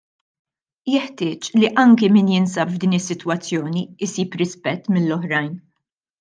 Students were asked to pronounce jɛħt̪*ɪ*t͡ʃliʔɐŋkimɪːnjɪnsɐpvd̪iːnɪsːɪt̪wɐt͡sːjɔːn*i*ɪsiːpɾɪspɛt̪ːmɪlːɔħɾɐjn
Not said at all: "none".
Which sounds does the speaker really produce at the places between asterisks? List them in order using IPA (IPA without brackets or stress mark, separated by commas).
ɪː, i